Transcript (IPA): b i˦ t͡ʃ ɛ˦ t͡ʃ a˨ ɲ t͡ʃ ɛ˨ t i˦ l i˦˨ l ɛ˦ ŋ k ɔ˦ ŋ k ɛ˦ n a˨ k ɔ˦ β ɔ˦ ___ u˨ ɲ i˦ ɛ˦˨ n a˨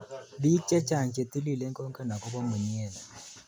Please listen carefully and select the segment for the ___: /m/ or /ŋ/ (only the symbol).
m